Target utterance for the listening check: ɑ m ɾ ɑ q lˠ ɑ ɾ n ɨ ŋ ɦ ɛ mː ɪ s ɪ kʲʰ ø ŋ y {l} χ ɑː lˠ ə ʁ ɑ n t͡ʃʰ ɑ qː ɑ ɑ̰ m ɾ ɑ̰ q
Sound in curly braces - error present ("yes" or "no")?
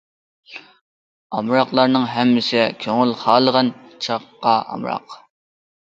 no